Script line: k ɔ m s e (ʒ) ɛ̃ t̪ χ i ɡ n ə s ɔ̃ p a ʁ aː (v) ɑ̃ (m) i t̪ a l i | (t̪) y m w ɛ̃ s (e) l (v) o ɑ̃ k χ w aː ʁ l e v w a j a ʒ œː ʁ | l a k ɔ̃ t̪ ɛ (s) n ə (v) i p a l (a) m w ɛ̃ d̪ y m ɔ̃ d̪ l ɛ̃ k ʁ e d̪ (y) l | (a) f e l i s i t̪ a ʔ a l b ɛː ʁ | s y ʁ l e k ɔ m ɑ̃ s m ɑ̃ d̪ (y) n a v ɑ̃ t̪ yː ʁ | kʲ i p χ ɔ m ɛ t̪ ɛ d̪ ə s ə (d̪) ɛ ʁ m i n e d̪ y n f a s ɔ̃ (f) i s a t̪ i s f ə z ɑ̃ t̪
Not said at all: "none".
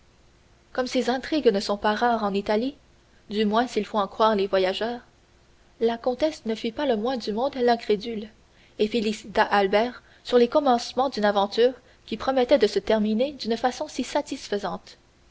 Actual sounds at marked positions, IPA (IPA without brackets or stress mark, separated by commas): z, ʁ, n, d̪, i, f, s, f, ə, y, e, y, t̪, s